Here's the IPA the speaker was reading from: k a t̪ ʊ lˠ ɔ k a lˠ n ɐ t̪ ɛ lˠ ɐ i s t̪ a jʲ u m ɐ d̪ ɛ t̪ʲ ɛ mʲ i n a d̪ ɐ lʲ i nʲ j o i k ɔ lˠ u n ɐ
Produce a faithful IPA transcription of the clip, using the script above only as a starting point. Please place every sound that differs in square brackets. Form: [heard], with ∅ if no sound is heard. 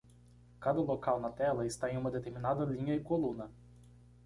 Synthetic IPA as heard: k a [d̪] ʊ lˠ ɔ k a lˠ n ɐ t̪ ɛ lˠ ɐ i s t̪ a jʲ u m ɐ d̪ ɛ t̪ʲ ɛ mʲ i n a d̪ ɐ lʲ i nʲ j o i k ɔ lˠ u n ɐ